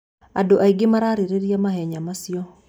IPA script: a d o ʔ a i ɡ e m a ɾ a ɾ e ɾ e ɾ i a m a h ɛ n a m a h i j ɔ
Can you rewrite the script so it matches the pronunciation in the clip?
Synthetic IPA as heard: a d o ʔ a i ɡ e m a ɾ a ɾ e ɾ e ɾ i a m a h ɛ ɲ a m a s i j ɔ